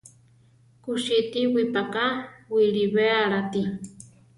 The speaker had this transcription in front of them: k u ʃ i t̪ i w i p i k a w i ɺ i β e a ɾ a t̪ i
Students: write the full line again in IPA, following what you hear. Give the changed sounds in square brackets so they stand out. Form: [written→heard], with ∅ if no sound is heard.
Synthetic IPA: k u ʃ i t̪ i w i p [i→a] k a w i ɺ i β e a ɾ a t̪ i